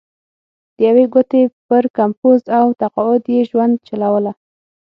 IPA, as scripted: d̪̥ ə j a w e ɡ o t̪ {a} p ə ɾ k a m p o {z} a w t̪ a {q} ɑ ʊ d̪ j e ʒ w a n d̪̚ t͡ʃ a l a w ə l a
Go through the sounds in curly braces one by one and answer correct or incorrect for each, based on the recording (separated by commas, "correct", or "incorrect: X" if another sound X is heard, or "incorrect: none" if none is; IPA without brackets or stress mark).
incorrect: e, correct, correct